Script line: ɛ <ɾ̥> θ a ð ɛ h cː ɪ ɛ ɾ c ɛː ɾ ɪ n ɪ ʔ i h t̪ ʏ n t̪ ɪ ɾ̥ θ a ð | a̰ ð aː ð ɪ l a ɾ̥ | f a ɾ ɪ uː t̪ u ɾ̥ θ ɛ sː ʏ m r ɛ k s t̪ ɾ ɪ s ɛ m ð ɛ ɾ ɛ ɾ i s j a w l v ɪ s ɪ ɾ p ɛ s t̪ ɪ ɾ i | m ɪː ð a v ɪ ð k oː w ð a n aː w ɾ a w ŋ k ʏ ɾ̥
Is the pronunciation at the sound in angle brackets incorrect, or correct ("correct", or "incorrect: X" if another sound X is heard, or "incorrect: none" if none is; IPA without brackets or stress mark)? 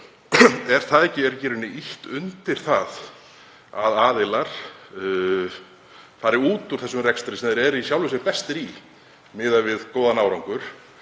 correct